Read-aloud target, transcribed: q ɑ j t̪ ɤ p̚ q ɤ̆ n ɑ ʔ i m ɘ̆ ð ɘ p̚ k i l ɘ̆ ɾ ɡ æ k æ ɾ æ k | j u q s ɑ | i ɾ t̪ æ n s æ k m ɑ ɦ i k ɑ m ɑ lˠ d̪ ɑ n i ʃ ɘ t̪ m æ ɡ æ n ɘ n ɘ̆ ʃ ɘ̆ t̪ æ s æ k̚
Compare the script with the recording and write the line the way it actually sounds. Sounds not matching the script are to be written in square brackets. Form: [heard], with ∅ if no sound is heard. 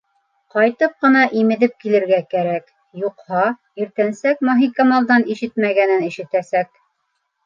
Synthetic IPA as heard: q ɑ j t̪ ɤ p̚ q ɤ̆ n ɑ ʔ i m ɘ̆ ð ɘ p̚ k i l ɘ̆ ɾ ɡ æ k æ ɾ æ k | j u q [h] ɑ | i ɾ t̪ æ n s æ k m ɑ ɦ i k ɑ m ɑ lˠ d̪ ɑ n i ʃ ɘ t̪ m æ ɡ æ n ɘ n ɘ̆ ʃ ɘ̆ t̪ æ s æ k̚